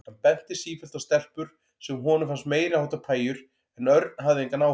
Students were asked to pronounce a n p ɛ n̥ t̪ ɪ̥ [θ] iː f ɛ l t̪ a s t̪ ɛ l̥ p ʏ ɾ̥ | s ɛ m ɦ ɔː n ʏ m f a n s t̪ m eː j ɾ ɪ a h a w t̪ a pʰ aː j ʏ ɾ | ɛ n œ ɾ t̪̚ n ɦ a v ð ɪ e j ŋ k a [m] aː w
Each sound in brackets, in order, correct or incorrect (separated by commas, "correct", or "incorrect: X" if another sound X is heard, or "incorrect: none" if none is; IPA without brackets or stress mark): incorrect: s, incorrect: n